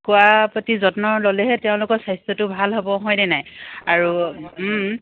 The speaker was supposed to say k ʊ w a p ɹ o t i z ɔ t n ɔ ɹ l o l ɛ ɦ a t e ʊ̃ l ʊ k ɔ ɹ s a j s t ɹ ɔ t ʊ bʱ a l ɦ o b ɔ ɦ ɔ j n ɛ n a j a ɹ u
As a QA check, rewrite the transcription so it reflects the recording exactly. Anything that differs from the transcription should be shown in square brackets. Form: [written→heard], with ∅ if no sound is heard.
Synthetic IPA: k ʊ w a p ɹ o t i z ɔ t n ɔ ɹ l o l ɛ ɦ [a→ɛ] t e ʊ̃ l ʊ k ɔ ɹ s a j s t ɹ ɔ t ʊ bʱ a l ɦ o b ɔ ɦ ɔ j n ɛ n a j a ɹ u

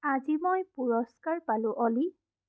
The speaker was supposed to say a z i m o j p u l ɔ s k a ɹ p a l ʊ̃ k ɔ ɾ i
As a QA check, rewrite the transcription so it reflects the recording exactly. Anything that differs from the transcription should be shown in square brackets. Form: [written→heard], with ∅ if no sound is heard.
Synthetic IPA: a z i m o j p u [l→ɹ] ɔ s k a ɹ p a l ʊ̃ [k→ʔ] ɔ [ɾ→l] i

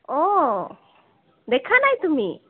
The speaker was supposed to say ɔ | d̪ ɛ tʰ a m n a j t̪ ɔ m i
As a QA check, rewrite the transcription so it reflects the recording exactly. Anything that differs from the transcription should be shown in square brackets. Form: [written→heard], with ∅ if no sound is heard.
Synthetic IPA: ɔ | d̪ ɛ [tʰ→kʰ] a [m→∅] n a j t̪ [ɔ→u] m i

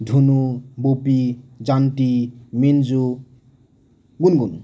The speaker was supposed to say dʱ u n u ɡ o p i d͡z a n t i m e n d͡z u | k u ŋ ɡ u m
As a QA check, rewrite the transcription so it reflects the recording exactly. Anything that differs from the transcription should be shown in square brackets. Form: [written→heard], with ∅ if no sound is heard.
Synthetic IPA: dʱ u n u [ɡ→b] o p i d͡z a n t i m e n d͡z u | [k→ɡ] u [ŋ→n] ɡ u [m→n]

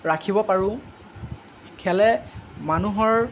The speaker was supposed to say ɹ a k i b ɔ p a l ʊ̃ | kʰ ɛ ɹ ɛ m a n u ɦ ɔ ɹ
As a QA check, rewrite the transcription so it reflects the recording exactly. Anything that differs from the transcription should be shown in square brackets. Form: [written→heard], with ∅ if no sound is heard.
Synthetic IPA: ɹ a [k→kʰ] i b ɔ p a [l→ɹ] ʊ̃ | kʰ ɛ [ɹ→l] ɛ m a n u ɦ ɔ ɹ

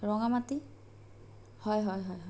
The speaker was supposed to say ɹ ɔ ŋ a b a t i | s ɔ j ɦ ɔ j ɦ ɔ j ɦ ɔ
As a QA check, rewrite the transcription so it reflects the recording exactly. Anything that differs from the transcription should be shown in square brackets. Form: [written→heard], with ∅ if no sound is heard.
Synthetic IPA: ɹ ɔ ŋ a [b→m] a t i | [s→h] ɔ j ɦ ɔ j ɦ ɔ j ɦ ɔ

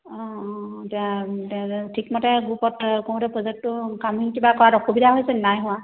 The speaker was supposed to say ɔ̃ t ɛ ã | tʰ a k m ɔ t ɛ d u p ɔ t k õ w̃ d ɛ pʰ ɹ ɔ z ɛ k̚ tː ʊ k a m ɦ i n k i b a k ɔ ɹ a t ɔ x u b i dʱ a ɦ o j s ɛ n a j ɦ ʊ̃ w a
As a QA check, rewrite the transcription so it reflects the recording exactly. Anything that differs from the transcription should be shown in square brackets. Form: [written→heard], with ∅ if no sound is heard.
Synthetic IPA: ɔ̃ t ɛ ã | tʰ [a→i] k m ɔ t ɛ [d→ɡ] u p ɔ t k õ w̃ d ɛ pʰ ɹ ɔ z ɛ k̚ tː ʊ k a m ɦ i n k i b a k ɔ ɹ a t ɔ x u b i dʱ a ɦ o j s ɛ n a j ɦ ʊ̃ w a

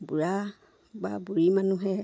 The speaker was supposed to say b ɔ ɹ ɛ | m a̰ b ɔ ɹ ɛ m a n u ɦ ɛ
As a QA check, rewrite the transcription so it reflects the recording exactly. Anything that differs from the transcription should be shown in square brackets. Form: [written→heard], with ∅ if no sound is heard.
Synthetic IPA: b [ɔ→u] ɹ [ɛ→a] | [m→b] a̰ b [ɔ→u] ɹ [ɛ→i] m a n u ɦ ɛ

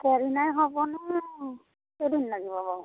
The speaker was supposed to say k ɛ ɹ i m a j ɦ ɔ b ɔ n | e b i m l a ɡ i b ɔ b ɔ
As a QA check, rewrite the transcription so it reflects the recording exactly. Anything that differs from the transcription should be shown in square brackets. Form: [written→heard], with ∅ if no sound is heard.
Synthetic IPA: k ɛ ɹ i [m→n] a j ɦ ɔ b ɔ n | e [b→d] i [m→n] l a ɡ i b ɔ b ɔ

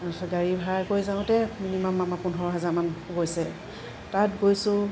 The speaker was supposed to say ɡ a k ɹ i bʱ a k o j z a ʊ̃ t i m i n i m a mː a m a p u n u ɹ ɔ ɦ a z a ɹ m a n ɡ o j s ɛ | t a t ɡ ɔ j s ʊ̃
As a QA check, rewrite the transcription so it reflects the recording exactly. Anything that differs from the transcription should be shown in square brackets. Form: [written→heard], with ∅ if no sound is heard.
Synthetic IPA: ɡ a [k→∅] ɹ i bʱ a k o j z a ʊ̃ t [i→ɛ] m i n i m a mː a m a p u n [u→ɔ] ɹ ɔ ɦ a z a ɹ m a n ɡ o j s ɛ | t a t ɡ [ɔ→o] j s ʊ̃

